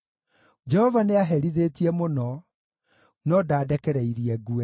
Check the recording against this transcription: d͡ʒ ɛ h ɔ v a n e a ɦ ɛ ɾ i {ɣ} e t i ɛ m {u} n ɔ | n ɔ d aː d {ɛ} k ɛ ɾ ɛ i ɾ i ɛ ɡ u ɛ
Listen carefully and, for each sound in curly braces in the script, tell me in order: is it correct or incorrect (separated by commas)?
incorrect, incorrect, correct